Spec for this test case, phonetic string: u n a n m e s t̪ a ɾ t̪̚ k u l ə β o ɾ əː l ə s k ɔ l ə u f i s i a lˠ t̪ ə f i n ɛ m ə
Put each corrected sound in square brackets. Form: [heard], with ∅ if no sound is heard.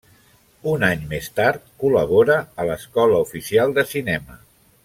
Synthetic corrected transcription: u n a [ɲ] m e s t̪ a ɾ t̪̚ k u l ə β o ɾ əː l ə s k ɔ l ə u f i s i a lˠ [d̪] ə [s] i n ɛ m ə